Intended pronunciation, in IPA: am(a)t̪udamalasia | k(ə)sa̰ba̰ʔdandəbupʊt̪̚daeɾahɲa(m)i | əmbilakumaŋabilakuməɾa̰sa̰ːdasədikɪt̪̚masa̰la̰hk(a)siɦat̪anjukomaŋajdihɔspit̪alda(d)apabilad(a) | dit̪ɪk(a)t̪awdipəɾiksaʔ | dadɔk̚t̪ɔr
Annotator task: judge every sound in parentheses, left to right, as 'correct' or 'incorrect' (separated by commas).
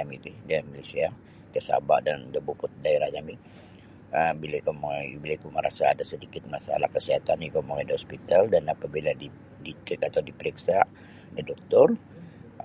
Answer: incorrect, correct, correct, incorrect, incorrect, incorrect, correct